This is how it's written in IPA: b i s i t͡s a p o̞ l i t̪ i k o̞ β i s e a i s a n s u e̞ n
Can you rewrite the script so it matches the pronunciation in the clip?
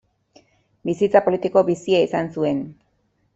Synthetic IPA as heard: b i s i t͡s a p o̞ l i t̪ i k o̞ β i s i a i s a n s u e̞ n